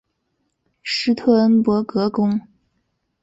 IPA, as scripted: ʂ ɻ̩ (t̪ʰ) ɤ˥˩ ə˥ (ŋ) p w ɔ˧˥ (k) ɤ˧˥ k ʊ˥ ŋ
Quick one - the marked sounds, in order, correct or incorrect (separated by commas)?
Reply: correct, incorrect, correct